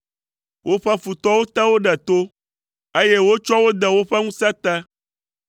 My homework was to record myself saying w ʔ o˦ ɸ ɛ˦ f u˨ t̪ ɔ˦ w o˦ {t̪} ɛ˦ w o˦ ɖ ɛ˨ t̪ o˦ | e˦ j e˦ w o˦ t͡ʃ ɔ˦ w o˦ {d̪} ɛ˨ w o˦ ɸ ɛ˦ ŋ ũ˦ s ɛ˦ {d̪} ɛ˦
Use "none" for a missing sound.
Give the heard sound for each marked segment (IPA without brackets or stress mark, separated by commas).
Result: t̪, d̪, t̪